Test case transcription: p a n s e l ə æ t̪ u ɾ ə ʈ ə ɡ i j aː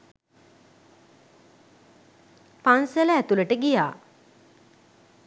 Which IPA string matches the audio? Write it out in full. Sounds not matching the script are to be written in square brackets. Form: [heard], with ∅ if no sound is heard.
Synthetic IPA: p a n s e l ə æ t̪ u [l] ə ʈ ə ɡ i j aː

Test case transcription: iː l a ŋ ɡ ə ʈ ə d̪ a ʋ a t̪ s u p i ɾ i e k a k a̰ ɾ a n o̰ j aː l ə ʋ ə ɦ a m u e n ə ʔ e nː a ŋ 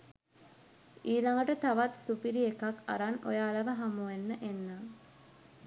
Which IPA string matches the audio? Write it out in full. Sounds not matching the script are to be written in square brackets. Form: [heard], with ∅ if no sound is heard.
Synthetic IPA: iː l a ŋ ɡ ə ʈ ə [t̪] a ʋ a t̪ s u p i ɾ i e k a k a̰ ɾ a n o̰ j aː l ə ʋ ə ɦ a m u e [nː] ə ʔ e nː a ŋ

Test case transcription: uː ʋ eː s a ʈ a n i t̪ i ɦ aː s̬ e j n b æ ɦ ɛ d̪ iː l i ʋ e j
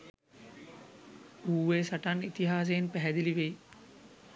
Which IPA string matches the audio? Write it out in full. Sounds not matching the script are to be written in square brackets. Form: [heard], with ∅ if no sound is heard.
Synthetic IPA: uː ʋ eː s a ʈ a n i t̪ i ɦ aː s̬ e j n [p] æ ɦ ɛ d̪ [i] l i ʋ e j

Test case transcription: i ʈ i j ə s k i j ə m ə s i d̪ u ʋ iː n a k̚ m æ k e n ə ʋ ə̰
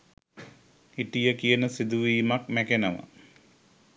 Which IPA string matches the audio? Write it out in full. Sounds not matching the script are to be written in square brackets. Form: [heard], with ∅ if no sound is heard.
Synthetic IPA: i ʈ i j ə [∅] k i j ə [n] ə s i d̪ u ʋ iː [m] a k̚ m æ k e n ə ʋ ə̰

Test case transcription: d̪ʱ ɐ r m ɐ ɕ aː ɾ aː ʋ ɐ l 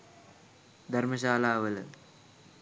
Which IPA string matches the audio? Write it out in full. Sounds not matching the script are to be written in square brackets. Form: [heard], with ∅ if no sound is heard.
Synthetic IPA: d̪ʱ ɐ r m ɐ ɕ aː [l] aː ʋ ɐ l

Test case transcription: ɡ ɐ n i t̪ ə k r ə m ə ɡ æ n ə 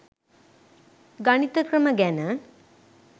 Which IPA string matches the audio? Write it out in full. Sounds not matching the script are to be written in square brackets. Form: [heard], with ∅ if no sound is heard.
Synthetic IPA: ɡ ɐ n i t̪ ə k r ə m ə ɡ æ n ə

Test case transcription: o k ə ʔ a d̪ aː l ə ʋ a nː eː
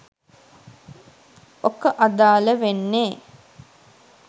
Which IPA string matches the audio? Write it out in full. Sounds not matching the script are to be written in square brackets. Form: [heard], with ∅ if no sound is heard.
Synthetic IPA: o k ə ʔ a d̪ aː l ə ʋ [e] nː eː

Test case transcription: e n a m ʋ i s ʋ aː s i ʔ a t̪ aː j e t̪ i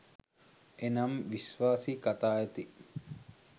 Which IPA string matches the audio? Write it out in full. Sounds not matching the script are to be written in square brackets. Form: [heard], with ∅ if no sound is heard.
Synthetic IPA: e n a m ʋ i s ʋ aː s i [k] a t̪ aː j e t̪ i

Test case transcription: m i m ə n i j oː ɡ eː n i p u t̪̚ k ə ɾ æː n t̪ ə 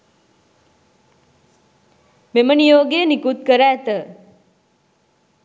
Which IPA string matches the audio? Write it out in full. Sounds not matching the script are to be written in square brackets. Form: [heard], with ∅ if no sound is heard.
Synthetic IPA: m [e] m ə n i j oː ɡ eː n i [k] u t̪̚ k ə ɾ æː [∅] t̪ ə

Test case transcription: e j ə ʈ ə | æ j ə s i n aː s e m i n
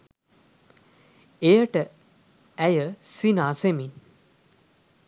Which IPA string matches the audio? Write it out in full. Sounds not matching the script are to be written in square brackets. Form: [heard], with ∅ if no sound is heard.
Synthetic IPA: e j ə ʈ ə | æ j ə s i n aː s e m i n

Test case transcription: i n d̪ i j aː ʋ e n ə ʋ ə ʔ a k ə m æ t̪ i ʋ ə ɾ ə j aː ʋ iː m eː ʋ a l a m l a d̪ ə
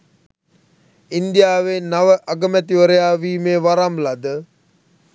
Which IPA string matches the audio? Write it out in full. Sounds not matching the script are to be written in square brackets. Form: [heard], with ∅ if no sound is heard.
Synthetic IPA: i n d̪ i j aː ʋ e n [a] ʋ ə ʔ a [ɡ] ə m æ t̪ i ʋ ə ɾ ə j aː ʋ iː m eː ʋ a [ɾ] a m l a d̪ ə

